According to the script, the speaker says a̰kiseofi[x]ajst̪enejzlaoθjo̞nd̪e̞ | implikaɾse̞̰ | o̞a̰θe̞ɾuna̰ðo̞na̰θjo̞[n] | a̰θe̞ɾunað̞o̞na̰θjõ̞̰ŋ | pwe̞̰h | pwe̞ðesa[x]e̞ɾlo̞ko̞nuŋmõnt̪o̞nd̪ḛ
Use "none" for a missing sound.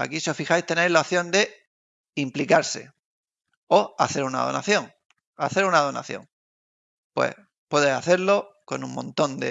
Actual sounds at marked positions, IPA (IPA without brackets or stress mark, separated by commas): x, ŋ, θ